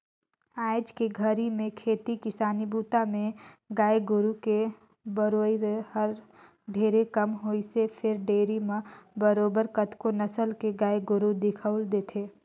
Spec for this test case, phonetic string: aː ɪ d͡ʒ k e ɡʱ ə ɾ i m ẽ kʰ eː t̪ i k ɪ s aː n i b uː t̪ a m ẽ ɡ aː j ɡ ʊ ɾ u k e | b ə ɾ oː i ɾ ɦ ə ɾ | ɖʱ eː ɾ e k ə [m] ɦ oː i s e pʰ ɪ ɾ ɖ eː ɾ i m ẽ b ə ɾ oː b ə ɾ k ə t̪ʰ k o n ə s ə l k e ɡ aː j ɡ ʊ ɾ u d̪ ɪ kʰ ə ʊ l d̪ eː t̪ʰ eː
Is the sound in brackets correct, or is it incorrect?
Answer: correct